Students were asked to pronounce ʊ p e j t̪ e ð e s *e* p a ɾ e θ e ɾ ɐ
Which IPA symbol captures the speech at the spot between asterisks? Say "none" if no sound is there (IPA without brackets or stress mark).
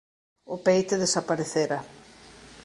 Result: a